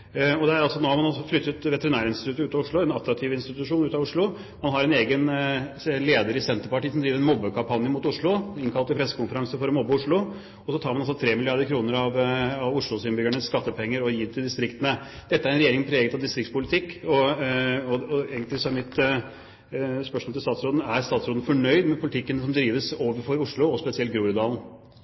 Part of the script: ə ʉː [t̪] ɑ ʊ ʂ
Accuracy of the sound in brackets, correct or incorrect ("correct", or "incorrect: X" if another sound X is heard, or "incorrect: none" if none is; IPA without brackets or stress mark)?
correct